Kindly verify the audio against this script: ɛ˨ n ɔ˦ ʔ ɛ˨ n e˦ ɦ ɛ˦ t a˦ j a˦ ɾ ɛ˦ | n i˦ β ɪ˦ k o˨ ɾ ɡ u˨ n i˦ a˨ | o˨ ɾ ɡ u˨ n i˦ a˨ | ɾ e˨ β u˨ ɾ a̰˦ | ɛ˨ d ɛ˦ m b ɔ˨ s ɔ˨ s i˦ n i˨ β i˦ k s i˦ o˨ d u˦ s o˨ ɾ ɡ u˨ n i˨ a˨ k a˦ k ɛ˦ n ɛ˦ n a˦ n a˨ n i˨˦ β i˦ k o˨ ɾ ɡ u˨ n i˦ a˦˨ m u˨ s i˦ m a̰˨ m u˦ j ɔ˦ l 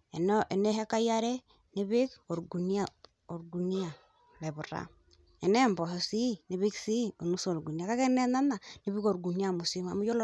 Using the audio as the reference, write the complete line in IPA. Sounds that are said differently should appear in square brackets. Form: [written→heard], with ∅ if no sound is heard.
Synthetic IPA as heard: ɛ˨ n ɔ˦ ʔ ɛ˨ n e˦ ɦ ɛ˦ [t→k] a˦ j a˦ ɾ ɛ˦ | n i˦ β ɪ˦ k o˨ ɾ ɡ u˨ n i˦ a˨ | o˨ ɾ ɡ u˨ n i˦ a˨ | [ɾ→l] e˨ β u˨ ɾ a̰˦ | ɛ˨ [d→n] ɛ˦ m b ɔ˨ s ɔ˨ s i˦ n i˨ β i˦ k s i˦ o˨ [d→n] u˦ s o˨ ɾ ɡ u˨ n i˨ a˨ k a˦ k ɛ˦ n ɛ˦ n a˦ n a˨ n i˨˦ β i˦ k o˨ ɾ ɡ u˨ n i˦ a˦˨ m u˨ s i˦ m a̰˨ m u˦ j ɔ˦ l